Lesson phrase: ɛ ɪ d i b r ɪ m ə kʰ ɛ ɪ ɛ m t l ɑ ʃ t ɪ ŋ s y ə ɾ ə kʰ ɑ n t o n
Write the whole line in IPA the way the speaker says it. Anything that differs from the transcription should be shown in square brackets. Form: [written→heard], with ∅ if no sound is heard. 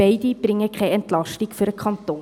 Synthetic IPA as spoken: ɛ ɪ d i b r ɪ [m→ŋ] ə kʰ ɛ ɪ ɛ [m→n] t l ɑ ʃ t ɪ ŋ [s→f] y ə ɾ ə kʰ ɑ n t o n

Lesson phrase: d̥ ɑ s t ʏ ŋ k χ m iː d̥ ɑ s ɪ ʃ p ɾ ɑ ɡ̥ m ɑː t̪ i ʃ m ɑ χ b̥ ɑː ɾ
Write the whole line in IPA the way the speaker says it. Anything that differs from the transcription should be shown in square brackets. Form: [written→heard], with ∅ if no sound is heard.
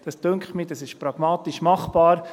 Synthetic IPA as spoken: d̥ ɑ s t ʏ ŋ k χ m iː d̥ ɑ s ɪ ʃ p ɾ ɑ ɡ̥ m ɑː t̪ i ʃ m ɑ χ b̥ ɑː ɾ

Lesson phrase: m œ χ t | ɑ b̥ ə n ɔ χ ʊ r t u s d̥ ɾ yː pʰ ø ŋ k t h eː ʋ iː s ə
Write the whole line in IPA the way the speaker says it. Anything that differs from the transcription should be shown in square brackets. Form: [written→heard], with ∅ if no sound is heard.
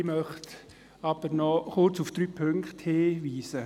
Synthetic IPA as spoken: m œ χ t | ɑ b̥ ə n ɔ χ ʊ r [t→t͡s] u [s→f] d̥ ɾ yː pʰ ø ŋ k t h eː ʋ iː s ə

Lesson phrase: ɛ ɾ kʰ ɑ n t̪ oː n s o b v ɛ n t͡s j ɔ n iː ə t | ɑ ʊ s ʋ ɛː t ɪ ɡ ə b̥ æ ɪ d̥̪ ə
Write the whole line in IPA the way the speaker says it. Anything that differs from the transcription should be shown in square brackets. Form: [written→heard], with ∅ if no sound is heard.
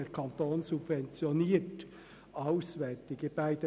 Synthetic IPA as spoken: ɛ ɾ kʰ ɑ n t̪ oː n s [o→u] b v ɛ n t͡s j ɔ n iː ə t | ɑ ʊ s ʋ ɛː t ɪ ɡ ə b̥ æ ɪ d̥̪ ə

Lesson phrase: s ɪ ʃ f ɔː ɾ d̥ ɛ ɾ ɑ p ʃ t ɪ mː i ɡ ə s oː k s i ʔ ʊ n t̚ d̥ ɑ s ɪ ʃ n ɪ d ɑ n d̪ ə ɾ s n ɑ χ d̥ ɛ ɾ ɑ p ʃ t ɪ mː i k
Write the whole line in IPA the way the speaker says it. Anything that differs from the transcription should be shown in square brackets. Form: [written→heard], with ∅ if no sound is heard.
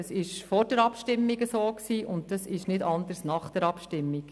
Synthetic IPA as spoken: s ɪ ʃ f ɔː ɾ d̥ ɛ ɾ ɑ p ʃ t ɪ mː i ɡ ə s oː k s [i→iː] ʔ ʊ n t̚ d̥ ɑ s ɪ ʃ n ɪ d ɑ n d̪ ə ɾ s n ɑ χ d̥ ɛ ɾ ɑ p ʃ t ɪ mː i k

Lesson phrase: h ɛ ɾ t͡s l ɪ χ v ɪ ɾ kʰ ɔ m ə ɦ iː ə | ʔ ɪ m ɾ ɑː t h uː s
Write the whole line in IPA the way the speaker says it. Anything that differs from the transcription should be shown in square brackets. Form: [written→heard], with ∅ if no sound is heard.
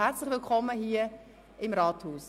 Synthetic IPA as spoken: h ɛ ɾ t͡s l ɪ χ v ɪ [ɾ→l] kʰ ɔ m ə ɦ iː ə | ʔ ɪ m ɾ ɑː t h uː s

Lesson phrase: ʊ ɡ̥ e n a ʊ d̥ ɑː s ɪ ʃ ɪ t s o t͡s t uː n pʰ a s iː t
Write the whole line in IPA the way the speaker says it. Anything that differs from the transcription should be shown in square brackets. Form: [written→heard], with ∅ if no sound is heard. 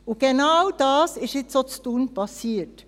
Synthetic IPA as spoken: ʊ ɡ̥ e n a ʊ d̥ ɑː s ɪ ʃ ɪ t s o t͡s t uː n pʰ [a→ɑ] s iː t

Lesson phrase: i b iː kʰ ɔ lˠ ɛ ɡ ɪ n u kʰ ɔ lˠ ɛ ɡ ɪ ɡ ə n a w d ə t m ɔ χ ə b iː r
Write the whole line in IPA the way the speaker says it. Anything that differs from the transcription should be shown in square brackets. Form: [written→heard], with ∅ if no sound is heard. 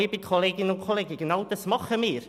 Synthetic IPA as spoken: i b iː kʰ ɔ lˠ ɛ ɡ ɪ n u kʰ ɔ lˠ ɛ ɡ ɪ ɡ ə n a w d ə [t→s] m ɔ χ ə [b→m] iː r

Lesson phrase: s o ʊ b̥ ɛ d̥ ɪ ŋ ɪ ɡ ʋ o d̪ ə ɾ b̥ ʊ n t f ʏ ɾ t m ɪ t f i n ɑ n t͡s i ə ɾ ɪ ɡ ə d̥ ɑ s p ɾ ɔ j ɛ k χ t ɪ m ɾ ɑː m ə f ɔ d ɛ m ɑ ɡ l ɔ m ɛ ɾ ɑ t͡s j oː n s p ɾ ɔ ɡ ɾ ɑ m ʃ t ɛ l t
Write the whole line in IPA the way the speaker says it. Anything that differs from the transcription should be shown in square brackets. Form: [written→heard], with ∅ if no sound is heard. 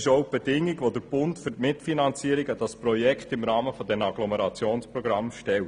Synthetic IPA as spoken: [s→ʃ] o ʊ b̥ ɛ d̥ ɪ ŋ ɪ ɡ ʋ o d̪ ə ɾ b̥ ʊ n t f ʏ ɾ t m ɪ t f i n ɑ n t͡s i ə ɾ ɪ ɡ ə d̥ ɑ s p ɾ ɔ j ɛ k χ t ɪ m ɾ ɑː m ə f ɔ d ɛ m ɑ ɡ l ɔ m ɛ ɾ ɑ t͡s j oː n s p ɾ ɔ ɡ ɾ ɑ m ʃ t ɛ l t

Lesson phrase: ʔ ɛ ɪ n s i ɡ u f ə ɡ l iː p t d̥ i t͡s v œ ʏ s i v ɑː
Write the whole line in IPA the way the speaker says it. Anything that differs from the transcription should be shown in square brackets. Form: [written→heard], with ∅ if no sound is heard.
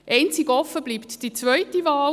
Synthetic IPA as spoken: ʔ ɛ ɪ n [s→t͡s] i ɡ [u→ɔ] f ə [ɡ→b] l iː p t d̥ i t͡s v œ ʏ [s→t] i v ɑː

